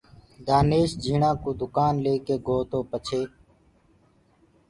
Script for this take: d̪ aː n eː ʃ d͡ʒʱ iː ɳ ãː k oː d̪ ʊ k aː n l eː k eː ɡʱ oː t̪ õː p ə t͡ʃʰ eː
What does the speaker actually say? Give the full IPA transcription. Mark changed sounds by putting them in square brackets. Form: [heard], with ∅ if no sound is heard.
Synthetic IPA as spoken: d̪ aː n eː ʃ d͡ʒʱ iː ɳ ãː k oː d̪ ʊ k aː n l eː k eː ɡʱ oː t̪ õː p ə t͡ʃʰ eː